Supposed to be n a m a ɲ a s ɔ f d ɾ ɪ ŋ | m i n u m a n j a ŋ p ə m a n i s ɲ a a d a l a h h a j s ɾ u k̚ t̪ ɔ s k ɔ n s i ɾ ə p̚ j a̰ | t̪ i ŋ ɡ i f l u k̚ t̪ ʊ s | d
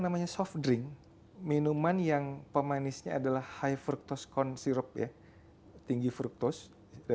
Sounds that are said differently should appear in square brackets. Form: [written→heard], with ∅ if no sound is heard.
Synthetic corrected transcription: n a m a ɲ a s ɔ f d ɾ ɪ ŋ | m i n u m a n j a ŋ p ə m a n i s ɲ a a d a l a h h a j [s→f] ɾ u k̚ t̪ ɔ s k ɔ n s i ɾ ə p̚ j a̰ | t̪ i ŋ ɡ i f [l→ɾ] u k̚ t̪ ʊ s | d